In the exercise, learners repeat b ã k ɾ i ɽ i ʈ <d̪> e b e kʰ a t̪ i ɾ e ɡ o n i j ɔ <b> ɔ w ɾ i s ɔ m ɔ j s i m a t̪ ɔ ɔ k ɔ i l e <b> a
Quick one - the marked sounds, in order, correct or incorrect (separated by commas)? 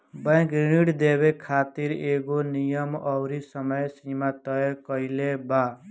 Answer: correct, incorrect, correct